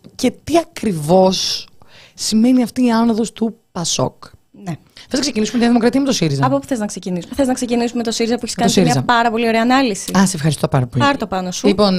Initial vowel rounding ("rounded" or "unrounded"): unrounded